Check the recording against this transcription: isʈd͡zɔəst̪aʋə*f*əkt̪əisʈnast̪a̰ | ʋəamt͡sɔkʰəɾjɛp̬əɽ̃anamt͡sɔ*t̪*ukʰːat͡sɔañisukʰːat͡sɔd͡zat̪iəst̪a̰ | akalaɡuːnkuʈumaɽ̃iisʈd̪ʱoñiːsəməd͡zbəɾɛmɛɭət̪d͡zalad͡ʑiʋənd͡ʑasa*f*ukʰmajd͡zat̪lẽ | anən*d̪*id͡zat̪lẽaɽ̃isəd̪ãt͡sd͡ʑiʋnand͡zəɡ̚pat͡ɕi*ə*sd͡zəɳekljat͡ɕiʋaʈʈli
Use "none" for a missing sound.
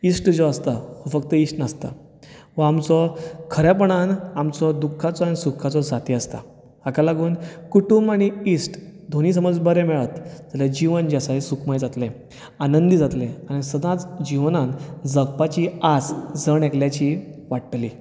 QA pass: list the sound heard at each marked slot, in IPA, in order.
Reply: f, d̪, s, d̪, a

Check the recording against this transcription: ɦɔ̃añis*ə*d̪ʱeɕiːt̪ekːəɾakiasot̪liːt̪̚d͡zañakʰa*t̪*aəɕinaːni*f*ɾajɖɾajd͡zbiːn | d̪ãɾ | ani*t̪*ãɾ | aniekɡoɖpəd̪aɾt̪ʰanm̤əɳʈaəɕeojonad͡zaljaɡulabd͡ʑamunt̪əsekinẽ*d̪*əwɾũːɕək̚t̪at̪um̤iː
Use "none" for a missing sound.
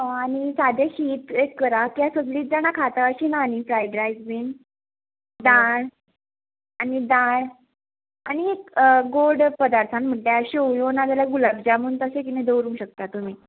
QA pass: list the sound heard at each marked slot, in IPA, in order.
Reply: a, t̪, f, d̪, d̪

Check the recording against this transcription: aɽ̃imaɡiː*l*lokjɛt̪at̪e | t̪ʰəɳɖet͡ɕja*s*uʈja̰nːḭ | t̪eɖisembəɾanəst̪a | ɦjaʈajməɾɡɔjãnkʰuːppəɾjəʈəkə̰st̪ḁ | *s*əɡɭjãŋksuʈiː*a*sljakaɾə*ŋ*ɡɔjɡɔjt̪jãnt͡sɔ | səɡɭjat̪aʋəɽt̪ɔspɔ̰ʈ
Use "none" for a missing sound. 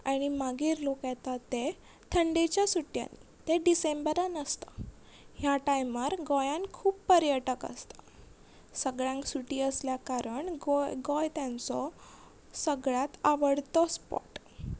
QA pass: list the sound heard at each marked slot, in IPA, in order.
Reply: ɾ, s, s, ə, ɳ

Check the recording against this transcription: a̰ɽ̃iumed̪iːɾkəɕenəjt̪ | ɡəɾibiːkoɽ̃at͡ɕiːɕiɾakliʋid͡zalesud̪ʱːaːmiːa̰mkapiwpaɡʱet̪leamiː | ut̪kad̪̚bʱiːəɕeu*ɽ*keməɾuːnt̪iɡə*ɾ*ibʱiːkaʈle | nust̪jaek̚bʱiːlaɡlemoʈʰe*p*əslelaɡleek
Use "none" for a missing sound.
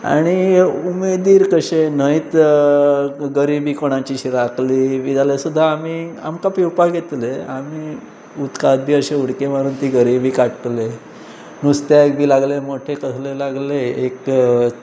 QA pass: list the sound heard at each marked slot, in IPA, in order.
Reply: ɽ, ɾ, k

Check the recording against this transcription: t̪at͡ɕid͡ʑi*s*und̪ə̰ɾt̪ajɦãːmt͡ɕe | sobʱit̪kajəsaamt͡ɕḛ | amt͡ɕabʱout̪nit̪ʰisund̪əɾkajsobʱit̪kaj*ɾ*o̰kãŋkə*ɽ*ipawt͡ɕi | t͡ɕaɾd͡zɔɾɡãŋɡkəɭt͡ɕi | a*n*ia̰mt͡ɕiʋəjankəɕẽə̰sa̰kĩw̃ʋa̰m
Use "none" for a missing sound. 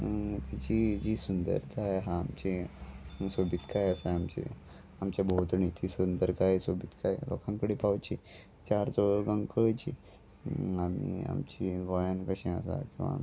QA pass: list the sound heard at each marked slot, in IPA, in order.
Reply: s, l, ɽ, m

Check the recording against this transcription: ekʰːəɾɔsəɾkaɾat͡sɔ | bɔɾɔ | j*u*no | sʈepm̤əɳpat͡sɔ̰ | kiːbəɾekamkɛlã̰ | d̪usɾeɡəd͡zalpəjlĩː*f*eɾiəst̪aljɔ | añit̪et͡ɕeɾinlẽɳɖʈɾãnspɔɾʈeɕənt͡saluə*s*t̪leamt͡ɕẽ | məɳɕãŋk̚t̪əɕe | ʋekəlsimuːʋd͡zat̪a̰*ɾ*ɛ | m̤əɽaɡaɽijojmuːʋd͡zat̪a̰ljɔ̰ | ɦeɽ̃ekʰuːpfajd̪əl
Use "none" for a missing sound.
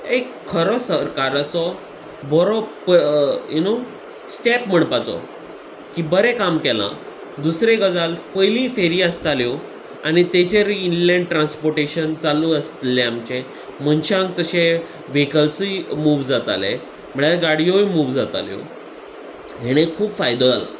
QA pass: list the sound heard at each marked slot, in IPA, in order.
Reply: u, f, s, l

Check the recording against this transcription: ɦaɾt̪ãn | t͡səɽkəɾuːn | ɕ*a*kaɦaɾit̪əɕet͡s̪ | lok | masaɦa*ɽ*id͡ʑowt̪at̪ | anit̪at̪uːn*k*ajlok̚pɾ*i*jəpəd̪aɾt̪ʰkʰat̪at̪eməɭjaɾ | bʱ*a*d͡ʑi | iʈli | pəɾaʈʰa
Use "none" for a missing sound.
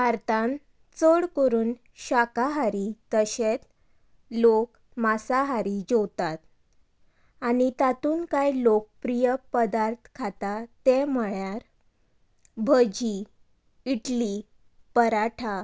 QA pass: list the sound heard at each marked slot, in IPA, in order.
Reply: a, ɾ, k, i, ə

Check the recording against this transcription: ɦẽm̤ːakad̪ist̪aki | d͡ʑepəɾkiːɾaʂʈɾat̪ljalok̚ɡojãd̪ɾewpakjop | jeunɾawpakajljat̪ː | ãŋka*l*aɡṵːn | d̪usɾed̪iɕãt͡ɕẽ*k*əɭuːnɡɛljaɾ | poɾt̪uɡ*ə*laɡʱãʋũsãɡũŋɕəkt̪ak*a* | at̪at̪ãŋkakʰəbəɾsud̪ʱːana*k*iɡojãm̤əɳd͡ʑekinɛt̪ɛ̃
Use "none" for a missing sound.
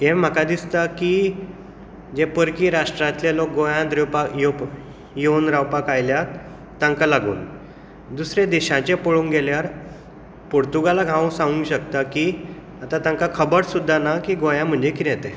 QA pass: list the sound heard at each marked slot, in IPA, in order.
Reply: l, p, a, i, k

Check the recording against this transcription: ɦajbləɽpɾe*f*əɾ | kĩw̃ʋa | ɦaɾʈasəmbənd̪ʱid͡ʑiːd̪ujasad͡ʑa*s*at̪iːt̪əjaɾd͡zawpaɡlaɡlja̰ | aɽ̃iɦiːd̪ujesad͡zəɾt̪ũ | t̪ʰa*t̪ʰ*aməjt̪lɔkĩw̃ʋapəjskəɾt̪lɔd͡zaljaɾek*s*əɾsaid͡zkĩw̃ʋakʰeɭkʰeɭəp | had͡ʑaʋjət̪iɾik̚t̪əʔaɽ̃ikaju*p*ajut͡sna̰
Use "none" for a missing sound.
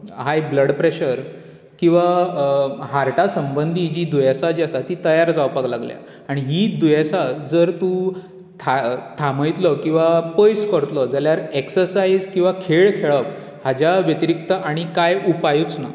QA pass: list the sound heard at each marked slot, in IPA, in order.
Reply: ɕ, s, t̪ʰ, s, p

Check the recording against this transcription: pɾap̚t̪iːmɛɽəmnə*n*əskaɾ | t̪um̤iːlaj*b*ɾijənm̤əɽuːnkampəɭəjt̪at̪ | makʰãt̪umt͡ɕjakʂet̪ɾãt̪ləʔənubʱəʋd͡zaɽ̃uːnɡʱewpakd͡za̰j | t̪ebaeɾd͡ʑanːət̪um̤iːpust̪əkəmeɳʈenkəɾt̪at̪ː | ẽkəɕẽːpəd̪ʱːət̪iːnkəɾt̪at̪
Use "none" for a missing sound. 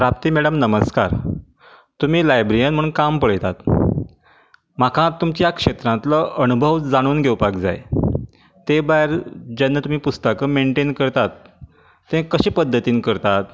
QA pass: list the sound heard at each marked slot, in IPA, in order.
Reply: m, b

